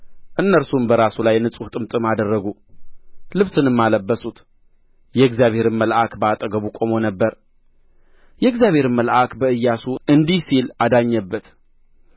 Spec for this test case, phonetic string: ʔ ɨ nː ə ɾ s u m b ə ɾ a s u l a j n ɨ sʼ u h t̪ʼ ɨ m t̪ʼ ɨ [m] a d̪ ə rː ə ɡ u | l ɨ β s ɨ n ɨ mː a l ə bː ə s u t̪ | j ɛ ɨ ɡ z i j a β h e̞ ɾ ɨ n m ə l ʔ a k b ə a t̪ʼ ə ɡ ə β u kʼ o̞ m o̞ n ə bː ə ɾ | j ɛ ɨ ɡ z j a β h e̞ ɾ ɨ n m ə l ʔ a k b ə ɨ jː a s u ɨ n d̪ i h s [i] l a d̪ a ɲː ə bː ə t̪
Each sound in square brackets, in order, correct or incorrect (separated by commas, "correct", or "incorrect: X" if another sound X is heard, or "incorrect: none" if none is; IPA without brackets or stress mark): correct, correct